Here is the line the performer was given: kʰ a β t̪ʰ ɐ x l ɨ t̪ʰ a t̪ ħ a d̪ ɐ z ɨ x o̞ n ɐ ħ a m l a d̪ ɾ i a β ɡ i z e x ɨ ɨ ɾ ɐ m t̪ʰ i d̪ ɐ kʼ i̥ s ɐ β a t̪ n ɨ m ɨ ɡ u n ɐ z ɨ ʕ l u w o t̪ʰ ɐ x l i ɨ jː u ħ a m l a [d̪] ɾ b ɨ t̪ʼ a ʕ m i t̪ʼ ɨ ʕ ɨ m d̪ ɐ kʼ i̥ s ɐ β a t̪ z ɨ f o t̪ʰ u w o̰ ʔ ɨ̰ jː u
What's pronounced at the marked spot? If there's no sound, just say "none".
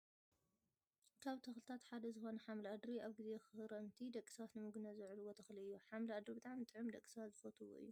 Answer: d̪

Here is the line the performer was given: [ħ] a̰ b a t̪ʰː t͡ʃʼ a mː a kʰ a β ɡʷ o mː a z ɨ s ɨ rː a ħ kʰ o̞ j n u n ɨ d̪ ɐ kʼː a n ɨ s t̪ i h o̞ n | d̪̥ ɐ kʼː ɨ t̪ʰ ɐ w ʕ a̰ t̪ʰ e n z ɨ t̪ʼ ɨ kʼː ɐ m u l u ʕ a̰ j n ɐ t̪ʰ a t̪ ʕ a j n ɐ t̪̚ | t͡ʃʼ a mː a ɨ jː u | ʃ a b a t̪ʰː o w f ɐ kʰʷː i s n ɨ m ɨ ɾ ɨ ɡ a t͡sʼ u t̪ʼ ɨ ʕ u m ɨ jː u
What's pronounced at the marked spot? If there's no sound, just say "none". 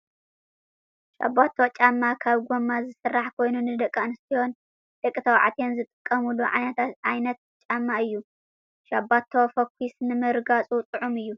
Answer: ʃ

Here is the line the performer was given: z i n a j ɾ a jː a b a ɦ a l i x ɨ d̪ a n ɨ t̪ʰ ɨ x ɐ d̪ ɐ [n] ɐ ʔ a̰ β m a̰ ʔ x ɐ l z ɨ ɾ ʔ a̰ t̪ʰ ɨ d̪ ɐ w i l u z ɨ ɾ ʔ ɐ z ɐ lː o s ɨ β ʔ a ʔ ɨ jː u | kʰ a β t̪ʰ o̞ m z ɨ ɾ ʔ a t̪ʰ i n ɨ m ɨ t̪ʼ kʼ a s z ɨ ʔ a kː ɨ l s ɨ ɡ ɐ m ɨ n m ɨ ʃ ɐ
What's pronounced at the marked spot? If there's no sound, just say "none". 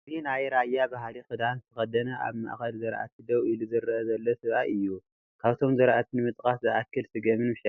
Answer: n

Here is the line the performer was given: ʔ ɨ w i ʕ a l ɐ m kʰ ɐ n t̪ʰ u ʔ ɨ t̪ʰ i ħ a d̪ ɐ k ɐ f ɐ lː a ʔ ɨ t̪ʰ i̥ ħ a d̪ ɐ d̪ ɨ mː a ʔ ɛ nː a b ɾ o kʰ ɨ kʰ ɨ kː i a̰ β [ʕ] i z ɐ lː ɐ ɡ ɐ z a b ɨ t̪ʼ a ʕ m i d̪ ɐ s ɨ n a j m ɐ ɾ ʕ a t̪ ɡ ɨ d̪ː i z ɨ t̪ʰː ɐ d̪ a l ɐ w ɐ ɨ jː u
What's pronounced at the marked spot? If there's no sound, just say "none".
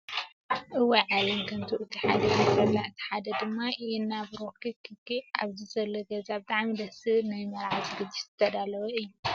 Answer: z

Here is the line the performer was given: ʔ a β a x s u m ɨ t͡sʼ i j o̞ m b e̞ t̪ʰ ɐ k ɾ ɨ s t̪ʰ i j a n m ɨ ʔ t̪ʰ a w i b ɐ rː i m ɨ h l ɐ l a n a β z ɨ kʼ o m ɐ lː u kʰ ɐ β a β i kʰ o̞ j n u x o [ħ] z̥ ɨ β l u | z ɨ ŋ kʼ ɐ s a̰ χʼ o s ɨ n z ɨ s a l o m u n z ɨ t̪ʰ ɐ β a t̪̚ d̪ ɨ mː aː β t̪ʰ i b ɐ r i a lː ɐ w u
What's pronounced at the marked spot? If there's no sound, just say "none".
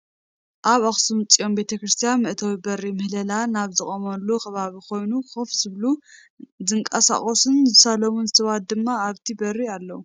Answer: f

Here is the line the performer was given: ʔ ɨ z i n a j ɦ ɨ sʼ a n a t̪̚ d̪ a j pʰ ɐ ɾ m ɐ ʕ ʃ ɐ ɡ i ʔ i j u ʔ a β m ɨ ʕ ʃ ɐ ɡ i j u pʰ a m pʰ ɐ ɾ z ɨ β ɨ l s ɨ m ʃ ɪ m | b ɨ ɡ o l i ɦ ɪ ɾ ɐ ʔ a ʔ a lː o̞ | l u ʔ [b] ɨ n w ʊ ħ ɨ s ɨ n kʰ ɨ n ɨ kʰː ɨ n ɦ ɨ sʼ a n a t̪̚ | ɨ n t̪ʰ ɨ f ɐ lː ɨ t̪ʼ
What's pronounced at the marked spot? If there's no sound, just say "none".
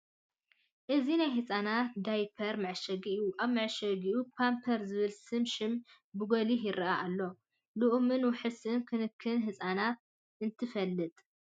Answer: m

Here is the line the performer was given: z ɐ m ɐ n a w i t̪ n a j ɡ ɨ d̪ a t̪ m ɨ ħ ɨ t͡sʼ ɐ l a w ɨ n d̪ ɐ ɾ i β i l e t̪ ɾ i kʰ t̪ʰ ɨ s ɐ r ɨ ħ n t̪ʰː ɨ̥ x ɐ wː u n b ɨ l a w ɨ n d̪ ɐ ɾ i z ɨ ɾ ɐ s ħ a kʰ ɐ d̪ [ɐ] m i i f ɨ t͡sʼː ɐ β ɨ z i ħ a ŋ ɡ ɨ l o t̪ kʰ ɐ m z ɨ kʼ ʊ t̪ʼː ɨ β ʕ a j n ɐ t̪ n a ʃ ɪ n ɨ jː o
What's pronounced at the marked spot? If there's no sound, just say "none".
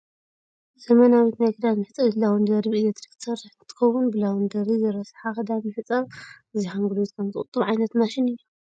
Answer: a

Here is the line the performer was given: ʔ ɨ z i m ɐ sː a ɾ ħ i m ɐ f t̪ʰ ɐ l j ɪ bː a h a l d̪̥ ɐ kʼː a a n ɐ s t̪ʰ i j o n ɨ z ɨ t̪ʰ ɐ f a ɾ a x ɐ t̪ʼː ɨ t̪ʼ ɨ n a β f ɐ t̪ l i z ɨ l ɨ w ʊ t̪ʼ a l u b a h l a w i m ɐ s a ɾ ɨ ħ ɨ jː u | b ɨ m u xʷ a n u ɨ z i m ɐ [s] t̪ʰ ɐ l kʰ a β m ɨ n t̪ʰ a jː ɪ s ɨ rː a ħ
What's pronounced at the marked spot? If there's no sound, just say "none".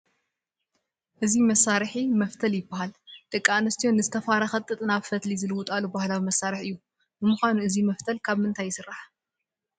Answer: f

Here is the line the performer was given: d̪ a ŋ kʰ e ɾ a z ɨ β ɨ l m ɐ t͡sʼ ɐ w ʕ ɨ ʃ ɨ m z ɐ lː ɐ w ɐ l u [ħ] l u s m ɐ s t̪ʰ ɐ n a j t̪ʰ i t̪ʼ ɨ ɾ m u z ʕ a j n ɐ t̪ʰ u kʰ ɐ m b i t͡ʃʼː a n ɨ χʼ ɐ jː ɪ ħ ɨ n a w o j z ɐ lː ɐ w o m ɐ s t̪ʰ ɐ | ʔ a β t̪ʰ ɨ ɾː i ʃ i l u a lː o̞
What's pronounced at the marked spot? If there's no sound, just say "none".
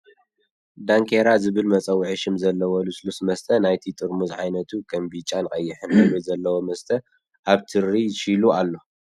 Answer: s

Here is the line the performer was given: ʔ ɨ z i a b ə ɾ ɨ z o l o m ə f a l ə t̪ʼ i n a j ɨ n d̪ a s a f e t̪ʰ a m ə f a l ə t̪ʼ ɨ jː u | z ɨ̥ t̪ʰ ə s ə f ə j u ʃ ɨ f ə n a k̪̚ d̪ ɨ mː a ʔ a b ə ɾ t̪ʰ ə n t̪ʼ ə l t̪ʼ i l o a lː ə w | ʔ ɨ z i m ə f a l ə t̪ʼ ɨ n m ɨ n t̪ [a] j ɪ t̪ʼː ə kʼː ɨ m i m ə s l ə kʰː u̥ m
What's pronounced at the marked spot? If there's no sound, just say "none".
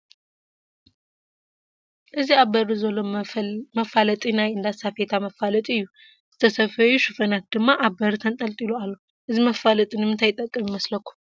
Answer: a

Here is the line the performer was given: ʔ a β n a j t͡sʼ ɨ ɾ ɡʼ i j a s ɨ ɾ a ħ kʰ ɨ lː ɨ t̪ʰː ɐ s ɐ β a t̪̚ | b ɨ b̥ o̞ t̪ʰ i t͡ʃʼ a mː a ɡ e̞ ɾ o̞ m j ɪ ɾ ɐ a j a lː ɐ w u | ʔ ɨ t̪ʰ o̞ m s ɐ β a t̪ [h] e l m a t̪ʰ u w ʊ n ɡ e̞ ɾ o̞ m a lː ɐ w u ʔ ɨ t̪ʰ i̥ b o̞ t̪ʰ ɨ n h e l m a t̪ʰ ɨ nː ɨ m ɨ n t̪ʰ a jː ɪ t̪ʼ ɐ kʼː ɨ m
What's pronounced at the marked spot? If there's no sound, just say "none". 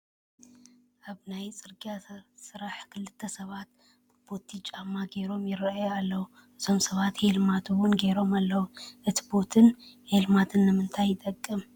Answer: h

